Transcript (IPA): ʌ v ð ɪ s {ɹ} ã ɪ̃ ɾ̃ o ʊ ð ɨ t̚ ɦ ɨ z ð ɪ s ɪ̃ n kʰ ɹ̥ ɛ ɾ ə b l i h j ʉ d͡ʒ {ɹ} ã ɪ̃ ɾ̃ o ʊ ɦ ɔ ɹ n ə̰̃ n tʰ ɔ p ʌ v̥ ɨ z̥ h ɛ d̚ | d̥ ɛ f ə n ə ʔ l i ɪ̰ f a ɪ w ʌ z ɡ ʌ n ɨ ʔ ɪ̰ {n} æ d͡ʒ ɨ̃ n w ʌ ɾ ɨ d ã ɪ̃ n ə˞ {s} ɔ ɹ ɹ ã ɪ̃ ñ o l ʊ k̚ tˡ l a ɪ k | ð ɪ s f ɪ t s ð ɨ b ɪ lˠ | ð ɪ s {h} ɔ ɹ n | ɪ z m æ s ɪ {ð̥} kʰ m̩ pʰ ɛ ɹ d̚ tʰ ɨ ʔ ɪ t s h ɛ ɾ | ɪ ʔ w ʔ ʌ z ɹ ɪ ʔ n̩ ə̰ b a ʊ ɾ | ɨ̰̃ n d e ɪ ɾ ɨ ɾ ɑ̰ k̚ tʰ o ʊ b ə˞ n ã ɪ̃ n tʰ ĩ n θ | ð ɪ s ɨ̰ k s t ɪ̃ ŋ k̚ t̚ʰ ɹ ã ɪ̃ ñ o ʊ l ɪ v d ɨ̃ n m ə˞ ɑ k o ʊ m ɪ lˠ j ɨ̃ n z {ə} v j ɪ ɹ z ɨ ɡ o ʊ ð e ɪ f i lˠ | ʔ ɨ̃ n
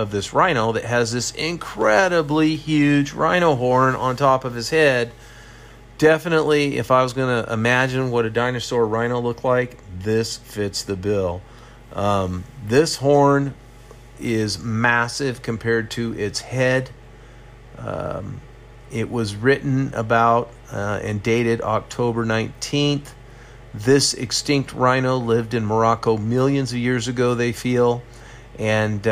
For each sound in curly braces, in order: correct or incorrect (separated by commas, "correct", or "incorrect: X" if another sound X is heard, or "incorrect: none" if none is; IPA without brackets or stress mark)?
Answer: correct, correct, incorrect: m, correct, correct, incorrect: v̥, incorrect: ʌ